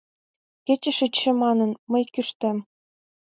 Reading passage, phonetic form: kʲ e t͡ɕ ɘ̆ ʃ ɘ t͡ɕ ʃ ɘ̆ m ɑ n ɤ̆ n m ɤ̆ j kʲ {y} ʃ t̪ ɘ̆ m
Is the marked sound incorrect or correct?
correct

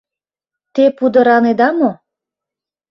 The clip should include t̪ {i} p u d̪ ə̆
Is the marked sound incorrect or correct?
incorrect: e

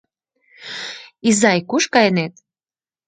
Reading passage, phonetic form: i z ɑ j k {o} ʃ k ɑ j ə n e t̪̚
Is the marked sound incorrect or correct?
incorrect: u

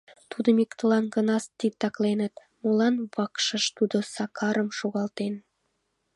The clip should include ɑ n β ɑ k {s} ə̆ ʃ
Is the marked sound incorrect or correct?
incorrect: ʃ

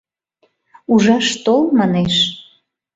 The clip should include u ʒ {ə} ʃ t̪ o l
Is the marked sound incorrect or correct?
incorrect: ɑ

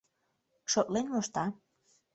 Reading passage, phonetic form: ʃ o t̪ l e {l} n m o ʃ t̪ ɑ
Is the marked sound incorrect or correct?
incorrect: none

